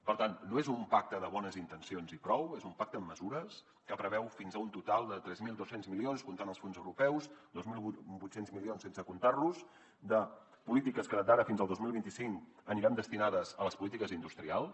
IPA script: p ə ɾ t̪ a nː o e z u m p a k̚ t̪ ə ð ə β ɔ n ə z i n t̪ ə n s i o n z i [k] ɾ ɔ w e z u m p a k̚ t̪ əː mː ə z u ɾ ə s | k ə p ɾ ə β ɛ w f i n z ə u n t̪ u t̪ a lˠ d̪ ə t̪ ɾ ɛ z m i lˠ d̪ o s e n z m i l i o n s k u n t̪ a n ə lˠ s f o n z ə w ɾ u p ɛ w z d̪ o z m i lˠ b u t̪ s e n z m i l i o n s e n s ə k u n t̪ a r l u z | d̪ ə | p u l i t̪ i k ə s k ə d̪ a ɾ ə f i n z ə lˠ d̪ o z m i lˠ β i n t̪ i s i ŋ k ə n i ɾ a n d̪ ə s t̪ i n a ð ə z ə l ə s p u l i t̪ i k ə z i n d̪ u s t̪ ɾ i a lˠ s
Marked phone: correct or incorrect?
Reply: incorrect: p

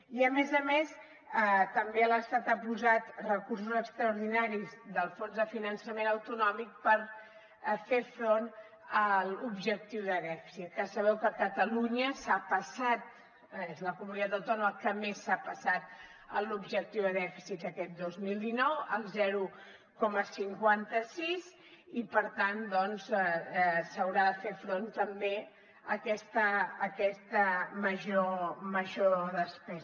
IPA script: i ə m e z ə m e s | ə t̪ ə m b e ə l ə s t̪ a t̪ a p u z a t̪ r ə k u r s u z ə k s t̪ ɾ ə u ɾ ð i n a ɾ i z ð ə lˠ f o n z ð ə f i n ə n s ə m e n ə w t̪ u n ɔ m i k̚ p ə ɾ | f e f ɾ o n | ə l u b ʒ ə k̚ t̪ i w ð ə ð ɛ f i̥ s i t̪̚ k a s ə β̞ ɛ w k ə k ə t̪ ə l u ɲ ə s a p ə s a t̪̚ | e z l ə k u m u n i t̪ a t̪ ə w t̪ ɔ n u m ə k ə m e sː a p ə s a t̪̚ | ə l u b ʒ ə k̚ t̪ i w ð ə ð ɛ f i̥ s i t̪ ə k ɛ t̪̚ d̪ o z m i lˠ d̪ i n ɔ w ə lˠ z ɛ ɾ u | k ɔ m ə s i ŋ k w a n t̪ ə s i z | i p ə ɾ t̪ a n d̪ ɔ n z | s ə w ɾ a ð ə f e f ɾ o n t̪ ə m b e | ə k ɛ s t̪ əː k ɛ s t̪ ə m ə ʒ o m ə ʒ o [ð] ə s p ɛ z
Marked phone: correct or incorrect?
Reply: correct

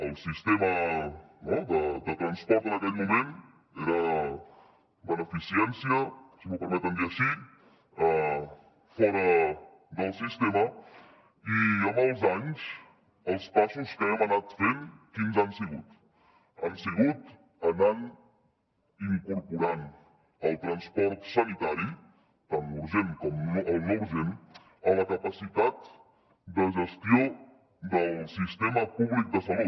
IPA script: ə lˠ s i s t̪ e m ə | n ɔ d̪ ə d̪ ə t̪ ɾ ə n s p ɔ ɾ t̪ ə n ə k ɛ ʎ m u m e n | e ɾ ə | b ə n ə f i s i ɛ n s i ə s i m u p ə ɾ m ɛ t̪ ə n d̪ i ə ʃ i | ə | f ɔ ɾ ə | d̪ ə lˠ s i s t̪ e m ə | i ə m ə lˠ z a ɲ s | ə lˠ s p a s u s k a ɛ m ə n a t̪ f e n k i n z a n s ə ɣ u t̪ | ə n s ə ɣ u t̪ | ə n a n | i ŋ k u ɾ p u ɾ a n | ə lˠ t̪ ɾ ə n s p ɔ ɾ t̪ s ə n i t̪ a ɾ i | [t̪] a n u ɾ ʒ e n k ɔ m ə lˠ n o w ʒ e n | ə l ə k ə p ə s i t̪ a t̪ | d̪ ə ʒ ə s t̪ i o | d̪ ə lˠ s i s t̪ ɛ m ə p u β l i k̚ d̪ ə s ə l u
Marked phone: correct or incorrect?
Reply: correct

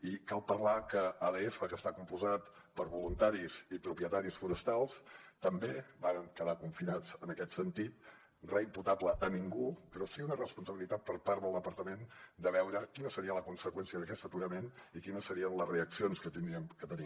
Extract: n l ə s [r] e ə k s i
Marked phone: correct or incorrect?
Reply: correct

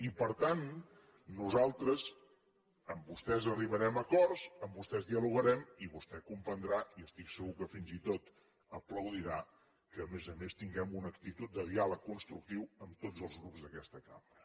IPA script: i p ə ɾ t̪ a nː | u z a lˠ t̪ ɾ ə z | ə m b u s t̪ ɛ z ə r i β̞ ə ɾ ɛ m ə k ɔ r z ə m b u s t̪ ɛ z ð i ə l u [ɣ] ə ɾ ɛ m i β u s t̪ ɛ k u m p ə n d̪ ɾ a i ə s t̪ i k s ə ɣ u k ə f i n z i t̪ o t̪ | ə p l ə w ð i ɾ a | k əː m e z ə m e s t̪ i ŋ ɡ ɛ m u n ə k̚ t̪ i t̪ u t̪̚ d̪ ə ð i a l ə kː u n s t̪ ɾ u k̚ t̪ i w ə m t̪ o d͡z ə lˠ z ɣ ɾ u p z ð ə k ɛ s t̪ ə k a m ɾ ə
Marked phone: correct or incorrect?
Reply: correct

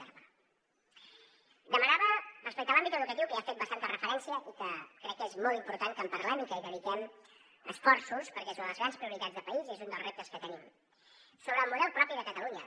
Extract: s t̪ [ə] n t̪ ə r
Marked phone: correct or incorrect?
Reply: incorrect: a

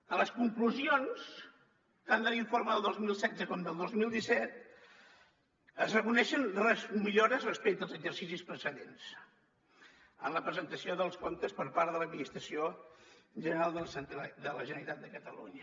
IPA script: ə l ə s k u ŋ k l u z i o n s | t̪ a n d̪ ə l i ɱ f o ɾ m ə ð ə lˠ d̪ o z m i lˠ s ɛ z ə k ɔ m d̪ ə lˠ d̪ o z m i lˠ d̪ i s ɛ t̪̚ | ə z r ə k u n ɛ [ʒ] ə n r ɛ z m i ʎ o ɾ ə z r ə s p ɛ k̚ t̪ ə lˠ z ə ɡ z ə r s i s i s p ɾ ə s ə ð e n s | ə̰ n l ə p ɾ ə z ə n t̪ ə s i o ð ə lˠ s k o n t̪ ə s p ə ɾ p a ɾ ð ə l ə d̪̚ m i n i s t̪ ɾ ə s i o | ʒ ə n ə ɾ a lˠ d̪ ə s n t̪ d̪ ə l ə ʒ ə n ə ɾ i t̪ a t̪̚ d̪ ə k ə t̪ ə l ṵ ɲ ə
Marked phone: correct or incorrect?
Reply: incorrect: ʃ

